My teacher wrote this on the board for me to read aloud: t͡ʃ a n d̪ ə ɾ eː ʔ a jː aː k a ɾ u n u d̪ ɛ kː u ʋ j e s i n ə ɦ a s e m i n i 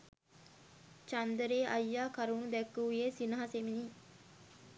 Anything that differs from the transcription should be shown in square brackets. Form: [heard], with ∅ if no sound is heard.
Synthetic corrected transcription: t͡ʃ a n d̪ ə ɾ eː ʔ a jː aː k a ɾ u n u d̪ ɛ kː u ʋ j e s i n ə ɦ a s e m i n i